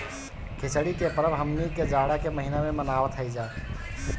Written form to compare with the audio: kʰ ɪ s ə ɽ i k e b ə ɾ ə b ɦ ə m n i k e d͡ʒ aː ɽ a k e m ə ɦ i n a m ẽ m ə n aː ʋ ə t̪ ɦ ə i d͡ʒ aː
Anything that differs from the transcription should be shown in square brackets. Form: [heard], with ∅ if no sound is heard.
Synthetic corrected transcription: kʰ ɪ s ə ɽ i k e [p] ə ɾ ə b ɦ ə m n i k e d͡ʒ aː ɽ a k e m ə ɦ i n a m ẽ m ə n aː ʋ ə t̪ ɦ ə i d͡ʒ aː